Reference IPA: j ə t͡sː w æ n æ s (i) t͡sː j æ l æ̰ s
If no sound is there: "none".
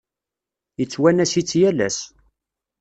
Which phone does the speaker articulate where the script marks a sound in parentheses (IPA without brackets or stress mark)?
i